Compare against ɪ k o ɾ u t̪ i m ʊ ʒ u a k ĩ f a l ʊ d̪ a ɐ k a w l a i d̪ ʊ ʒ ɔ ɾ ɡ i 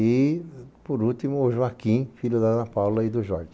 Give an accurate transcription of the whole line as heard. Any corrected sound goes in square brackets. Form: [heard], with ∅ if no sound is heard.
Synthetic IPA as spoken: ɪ [p] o ɾ u t̪ i m ʊ ʒ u a k ĩ f [i] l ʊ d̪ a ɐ [p] a w l [ɐ] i d̪ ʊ ʒ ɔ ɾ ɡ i